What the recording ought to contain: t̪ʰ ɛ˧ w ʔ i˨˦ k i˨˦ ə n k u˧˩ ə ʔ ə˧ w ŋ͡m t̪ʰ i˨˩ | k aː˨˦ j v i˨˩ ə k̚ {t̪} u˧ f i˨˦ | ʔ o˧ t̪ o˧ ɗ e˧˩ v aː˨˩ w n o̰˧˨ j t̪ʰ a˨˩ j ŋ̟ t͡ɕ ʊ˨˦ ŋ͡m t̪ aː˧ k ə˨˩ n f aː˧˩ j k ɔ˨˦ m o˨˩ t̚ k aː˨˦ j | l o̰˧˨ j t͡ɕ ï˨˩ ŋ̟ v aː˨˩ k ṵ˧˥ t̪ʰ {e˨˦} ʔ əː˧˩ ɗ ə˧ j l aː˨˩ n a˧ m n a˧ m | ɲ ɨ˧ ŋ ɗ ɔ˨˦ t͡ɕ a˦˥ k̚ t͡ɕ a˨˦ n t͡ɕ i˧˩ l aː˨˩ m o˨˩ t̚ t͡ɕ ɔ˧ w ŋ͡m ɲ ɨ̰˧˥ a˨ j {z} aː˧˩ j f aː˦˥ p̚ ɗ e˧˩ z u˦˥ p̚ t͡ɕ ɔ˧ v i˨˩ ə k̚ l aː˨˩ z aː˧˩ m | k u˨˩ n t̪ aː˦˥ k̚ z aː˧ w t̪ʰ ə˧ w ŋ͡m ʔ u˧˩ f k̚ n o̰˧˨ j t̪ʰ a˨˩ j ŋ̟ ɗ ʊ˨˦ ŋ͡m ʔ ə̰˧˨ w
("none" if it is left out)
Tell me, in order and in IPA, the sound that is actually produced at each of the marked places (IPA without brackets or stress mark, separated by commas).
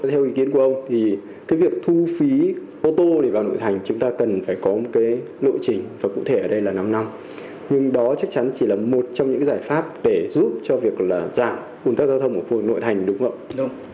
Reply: t̪ʰ, e˧˩, z